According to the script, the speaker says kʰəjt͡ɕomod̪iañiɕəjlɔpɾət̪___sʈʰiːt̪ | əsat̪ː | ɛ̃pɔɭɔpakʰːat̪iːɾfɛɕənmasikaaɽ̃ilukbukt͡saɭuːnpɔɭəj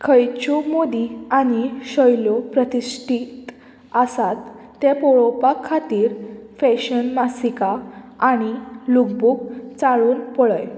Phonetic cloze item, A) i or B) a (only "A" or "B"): A